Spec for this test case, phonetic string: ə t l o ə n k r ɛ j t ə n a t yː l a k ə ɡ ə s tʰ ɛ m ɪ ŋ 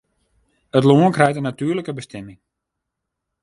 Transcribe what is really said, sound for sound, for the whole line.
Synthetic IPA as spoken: ə t l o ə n k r ɛ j t ə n a t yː l ə k ə b ə s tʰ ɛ m ɪ ŋ